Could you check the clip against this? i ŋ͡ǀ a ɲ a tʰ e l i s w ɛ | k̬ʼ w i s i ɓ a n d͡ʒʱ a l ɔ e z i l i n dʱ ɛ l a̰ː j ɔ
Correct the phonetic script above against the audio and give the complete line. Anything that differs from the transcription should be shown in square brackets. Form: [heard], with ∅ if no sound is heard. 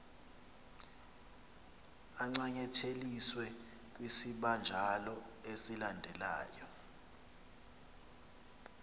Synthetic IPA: [a] ŋ͡ǀ a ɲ [ɛ] tʰ e l i s w ɛ | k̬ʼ w i s i ɓ a n d͡ʒʱ a l ɔ e [s] i l [a] n dʱ ɛ l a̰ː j ɔ